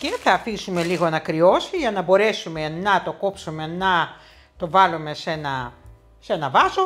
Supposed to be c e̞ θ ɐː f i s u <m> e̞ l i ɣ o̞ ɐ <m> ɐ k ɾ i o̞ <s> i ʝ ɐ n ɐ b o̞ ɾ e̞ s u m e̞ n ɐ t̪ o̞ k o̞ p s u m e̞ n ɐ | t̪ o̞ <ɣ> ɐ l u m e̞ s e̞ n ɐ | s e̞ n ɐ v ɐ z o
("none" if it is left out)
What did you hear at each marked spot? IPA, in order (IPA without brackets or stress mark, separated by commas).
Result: m, n, s, v